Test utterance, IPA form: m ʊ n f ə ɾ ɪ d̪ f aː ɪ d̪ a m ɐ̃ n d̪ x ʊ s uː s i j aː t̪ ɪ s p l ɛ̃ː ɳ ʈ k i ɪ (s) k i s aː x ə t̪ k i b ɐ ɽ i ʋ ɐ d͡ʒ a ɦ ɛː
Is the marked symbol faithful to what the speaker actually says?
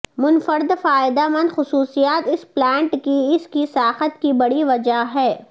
yes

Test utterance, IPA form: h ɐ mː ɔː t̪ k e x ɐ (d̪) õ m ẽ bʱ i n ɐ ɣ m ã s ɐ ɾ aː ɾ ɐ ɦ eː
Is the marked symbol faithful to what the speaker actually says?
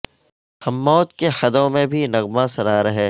yes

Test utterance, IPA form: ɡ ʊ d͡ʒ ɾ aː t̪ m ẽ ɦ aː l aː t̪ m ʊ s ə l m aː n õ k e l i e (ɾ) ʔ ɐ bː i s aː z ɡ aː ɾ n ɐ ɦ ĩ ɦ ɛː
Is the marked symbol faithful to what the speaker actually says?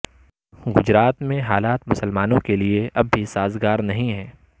no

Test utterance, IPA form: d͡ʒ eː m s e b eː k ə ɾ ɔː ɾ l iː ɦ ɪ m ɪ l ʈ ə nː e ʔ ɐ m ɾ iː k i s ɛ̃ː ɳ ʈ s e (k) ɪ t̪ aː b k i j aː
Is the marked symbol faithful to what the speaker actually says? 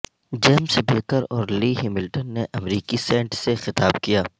no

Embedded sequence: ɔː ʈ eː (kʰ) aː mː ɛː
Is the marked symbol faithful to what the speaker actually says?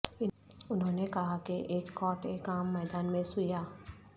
no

